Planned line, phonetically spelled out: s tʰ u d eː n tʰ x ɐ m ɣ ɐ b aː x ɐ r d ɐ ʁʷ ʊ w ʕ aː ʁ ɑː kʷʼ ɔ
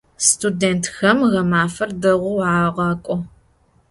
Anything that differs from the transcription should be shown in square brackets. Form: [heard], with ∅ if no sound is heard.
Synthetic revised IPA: s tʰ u d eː n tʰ x ɐ m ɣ ɐ [m] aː [f] ɐ r d ɐ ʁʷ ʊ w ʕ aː ʁ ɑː kʷʼ ɔ